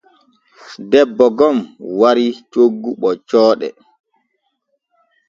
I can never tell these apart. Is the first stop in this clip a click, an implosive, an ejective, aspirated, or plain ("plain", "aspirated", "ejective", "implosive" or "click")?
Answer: plain